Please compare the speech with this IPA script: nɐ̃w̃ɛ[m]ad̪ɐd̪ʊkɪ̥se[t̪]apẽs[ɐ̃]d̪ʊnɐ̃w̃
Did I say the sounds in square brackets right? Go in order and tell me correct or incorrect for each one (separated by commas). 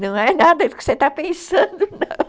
incorrect, correct, correct